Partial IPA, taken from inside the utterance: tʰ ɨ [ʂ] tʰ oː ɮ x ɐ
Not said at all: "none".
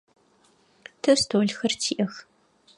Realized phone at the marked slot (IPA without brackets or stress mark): s